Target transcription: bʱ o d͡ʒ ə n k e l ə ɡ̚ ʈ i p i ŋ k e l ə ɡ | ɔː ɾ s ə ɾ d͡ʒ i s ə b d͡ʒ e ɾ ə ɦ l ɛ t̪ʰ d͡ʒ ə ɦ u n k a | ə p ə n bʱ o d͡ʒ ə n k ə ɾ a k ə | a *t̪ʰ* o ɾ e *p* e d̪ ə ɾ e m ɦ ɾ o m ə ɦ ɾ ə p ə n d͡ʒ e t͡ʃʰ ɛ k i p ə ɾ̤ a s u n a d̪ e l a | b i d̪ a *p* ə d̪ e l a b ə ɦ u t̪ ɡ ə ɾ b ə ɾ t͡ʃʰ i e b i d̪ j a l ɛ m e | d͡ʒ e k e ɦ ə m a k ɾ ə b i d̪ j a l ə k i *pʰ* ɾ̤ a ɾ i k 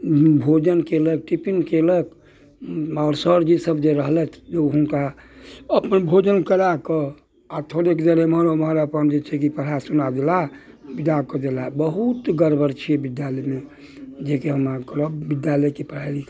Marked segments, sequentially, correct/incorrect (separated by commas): correct, incorrect, incorrect, incorrect